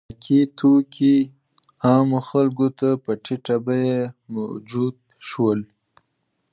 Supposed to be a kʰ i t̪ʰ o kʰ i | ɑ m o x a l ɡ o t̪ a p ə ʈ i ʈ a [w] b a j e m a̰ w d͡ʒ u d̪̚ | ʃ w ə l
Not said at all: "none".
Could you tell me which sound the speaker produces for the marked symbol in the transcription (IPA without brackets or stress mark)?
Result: none